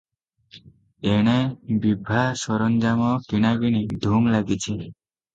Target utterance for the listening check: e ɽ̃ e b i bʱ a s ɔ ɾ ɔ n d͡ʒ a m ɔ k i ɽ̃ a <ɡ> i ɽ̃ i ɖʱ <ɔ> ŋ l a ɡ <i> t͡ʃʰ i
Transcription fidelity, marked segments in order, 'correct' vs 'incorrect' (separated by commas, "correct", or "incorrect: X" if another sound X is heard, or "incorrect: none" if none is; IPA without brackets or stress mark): correct, incorrect: u, correct